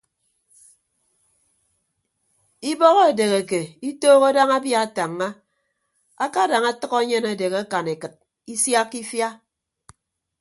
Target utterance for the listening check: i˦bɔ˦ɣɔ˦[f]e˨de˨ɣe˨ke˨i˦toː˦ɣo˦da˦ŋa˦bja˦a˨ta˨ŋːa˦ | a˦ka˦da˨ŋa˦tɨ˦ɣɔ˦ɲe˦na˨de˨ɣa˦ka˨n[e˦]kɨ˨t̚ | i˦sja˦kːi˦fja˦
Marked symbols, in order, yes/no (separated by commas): no, no